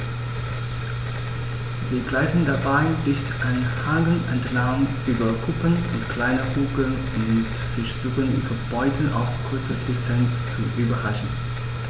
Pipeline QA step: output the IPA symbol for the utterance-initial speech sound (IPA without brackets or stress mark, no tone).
z